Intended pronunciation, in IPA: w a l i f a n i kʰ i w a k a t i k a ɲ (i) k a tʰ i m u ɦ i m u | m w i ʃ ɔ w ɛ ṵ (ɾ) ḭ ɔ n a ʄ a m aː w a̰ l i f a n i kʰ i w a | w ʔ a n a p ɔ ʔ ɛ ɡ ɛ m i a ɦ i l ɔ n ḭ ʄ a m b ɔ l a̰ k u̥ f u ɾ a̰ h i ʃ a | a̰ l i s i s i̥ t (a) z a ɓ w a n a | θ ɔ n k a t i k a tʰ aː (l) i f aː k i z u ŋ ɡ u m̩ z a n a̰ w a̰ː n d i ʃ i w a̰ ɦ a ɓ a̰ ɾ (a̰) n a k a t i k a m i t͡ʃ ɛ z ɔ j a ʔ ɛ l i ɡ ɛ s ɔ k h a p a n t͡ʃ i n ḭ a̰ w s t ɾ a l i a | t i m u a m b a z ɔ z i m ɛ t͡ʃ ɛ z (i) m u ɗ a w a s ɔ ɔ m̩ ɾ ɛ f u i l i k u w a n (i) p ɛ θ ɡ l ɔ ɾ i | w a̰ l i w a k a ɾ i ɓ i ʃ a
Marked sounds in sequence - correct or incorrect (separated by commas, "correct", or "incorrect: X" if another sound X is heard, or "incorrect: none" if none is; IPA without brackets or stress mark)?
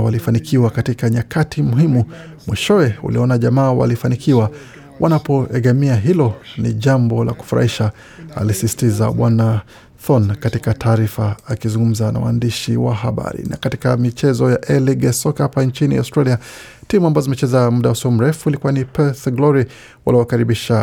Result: incorrect: a, incorrect: l, incorrect: i, incorrect: ɾ, incorrect: ḭ, incorrect: a, correct